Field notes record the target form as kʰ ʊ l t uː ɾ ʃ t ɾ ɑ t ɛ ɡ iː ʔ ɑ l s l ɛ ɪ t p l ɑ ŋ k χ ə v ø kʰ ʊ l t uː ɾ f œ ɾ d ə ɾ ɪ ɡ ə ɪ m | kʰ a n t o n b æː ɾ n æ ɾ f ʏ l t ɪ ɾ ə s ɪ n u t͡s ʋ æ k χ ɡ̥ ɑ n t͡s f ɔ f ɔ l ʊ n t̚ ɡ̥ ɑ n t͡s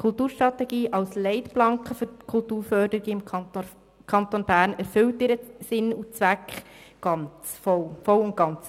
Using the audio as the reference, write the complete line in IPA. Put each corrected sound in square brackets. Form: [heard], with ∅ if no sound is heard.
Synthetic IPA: kʰ ʊ l t uː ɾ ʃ t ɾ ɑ t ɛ ɡ iː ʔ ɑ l s l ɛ ɪ t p l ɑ ŋ k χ ə [f] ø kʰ ʊ l t uː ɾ f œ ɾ d ə ɾ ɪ ɡ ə ɪ m | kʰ [ɑ] n t o n b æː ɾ n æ ɾ f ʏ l t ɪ ɾ ə s ɪ n u t͡s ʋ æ k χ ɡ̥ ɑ n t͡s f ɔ f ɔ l ʊ n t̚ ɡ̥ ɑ n t͡s